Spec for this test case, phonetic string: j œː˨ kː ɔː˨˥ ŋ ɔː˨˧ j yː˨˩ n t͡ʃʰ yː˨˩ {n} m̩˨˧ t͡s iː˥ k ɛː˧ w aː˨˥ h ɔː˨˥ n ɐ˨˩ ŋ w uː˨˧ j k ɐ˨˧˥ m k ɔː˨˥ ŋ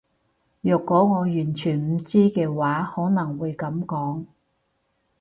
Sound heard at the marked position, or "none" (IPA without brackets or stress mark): n